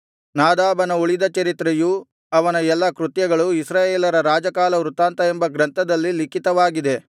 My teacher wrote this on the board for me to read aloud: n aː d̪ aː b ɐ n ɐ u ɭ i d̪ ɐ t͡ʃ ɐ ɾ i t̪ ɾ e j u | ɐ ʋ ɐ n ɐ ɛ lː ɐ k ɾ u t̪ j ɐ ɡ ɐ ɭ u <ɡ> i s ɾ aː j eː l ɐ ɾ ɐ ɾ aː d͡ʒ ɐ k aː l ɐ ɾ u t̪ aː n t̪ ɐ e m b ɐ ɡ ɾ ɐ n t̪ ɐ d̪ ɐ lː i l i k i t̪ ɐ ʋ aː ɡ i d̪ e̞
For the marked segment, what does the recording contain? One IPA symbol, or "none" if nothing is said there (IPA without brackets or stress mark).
none